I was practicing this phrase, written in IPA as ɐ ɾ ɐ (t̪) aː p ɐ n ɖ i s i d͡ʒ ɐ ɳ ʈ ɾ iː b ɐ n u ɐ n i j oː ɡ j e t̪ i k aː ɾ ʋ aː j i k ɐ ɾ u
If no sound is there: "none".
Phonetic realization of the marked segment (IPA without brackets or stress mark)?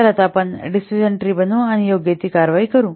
t̪